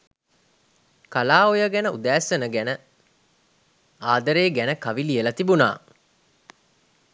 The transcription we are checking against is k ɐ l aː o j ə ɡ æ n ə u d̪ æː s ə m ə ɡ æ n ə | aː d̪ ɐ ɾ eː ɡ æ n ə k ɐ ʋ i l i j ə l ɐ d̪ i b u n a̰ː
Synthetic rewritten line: k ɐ l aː o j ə ɡ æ n ə u d̪ æː s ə n ə ɡ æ n ə | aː d̪ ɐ ɾ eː ɡ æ n ə k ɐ ʋ i l i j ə l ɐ t̪ i b u n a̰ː